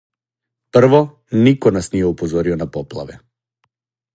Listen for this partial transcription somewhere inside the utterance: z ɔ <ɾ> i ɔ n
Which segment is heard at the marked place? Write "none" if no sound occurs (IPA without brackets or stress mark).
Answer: ɾ